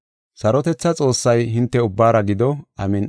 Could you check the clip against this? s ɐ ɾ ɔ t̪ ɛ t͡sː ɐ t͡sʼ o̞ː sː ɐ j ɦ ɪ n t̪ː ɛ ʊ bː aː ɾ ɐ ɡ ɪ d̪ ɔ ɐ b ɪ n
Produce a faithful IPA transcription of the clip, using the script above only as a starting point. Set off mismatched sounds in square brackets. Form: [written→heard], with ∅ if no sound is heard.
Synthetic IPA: s ɐ ɾ ɔ t̪ ɛ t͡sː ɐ t͡sʼ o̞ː sː ɐ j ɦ ɪ n t̪ː ɛ ʊ bː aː ɾ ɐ ɡ ɪ d̪ ɔ ɐ [b→m] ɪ n